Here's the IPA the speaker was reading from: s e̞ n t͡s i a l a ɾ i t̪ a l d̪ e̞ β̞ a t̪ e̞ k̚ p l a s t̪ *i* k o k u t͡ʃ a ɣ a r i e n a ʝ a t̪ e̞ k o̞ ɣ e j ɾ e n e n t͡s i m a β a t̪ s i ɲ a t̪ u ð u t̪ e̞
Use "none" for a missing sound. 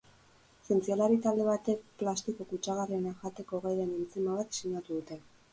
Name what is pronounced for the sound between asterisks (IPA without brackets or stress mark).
i